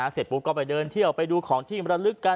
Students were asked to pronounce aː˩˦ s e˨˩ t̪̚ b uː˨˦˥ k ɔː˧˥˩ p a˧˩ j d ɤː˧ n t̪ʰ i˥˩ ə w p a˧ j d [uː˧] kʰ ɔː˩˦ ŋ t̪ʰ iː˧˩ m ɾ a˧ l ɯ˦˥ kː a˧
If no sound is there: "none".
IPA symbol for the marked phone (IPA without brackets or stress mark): uː˧